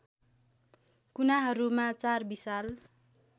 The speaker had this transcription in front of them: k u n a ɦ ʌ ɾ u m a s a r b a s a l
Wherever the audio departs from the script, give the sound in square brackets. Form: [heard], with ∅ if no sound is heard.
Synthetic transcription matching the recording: k u n a ɦ ʌ ɾ u m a [t͡s] a r b [i] s a l